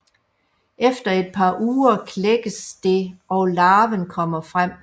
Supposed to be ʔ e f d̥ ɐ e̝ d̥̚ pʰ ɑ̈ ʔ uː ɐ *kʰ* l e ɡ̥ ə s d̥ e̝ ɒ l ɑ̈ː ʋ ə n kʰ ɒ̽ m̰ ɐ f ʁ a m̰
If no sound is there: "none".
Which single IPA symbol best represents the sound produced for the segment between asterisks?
kʰ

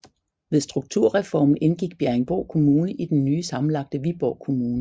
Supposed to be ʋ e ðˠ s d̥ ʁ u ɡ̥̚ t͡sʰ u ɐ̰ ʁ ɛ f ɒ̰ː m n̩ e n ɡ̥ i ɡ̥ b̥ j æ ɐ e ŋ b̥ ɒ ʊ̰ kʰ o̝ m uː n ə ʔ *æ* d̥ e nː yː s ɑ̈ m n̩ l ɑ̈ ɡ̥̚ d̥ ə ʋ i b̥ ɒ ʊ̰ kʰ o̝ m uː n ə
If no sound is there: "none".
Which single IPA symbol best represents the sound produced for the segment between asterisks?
i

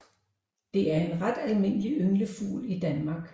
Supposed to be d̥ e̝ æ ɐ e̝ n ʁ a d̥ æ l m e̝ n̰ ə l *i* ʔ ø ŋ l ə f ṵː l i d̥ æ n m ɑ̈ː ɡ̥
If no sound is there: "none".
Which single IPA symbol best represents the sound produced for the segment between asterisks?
i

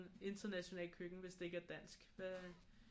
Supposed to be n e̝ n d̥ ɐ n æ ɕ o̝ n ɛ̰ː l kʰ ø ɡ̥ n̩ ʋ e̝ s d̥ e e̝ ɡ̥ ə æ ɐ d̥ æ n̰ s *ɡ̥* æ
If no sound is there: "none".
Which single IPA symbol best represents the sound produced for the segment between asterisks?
ɡ̥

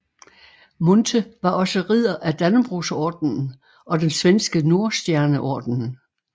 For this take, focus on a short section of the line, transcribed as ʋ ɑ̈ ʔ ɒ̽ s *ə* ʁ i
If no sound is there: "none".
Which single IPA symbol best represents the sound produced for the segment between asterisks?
ə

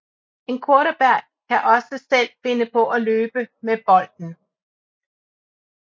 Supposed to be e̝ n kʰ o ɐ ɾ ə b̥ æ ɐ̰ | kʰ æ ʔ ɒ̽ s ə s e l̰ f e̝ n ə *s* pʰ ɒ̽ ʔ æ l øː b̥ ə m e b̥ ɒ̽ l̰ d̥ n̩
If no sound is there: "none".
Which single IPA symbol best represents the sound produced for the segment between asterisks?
none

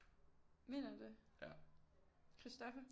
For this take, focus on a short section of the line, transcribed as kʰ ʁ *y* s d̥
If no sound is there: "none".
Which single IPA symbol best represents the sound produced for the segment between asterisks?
i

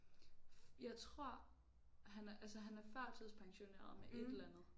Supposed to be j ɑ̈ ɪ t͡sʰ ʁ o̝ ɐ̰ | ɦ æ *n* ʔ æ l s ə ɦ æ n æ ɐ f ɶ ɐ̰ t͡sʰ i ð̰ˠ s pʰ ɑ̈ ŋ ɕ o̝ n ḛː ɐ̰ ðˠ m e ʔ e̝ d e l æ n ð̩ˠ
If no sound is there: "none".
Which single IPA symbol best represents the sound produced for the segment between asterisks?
n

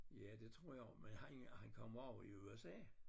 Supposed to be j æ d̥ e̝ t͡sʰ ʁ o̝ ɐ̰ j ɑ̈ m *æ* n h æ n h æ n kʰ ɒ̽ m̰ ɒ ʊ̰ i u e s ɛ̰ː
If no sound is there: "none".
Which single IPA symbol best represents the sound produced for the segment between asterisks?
e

